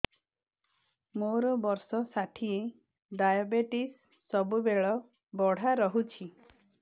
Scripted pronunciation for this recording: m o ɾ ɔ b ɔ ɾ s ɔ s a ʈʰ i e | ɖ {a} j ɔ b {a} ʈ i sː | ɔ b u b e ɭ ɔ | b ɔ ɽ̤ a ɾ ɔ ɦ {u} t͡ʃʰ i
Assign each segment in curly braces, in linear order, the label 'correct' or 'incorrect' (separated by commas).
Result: correct, incorrect, correct